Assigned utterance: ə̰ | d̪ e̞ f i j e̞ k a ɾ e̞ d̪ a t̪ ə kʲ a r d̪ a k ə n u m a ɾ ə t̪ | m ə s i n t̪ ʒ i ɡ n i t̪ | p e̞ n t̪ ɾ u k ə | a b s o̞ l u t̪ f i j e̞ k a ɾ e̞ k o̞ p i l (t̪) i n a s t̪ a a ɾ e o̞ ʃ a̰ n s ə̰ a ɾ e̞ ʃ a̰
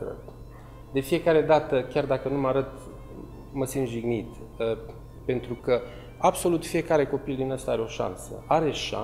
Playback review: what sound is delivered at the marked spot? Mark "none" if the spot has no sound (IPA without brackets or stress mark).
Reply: d̪